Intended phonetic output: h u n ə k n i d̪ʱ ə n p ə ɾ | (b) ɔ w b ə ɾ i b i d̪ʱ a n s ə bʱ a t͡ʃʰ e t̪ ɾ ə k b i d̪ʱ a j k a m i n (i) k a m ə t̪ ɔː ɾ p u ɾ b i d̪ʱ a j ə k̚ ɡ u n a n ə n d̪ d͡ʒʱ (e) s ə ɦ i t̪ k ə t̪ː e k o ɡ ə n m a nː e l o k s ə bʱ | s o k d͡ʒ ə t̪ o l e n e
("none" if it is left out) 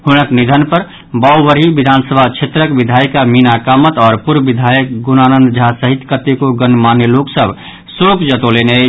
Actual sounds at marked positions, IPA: b, a, a

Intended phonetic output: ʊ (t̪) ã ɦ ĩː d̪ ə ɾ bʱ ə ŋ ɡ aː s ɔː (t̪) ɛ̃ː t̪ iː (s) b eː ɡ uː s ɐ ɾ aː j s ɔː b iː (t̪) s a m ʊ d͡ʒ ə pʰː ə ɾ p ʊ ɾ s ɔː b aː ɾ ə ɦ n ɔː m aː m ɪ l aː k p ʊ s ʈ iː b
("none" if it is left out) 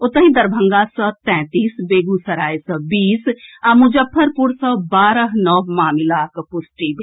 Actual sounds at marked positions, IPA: t̪, t̪, s, none

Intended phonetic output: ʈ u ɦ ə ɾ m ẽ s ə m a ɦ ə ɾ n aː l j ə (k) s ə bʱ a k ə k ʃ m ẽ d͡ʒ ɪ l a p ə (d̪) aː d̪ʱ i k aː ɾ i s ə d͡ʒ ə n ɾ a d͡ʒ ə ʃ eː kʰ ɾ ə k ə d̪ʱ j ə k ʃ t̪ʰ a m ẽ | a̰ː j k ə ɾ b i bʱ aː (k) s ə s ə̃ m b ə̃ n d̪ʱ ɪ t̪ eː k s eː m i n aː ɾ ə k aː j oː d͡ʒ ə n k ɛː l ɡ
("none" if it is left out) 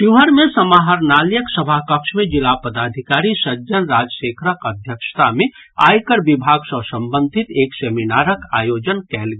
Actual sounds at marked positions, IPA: k, d̪, ɡ

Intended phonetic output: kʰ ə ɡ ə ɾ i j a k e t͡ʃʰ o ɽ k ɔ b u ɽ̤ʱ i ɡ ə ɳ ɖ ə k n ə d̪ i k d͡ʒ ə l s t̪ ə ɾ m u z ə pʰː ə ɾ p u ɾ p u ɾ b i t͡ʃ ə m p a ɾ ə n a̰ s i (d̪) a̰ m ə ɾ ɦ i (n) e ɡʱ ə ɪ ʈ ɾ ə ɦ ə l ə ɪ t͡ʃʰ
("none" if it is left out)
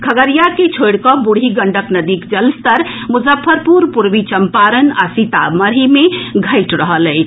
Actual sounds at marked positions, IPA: t̪, m

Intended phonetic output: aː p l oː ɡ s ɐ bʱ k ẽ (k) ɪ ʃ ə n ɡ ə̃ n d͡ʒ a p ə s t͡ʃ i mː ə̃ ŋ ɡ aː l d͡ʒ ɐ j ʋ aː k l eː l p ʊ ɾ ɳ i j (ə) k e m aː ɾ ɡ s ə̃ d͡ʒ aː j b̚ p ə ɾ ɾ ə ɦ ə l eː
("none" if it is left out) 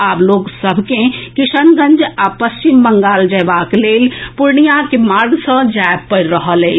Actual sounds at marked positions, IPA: k, a

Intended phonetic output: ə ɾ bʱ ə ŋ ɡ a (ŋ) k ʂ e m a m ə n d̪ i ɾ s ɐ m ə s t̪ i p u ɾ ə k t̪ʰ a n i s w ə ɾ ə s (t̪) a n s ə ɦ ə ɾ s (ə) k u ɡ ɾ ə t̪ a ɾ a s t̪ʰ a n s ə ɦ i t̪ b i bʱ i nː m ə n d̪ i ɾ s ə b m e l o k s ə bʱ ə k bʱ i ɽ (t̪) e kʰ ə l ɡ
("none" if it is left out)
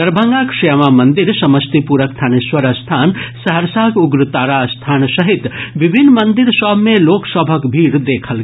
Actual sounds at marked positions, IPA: none, t̪ʰ, a, d̪

